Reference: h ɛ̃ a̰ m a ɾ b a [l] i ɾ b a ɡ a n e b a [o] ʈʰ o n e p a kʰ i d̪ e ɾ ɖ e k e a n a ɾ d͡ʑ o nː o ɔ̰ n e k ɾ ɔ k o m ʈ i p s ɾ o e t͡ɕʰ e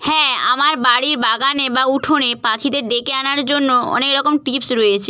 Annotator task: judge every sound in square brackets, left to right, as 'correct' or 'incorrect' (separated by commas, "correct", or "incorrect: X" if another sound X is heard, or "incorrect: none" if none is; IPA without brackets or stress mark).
incorrect: ɽ, incorrect: u